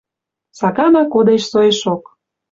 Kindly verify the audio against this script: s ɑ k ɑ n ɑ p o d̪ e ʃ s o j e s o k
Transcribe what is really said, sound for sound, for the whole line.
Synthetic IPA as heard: s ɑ k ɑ n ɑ k o d̪ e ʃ s o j e ʃ o k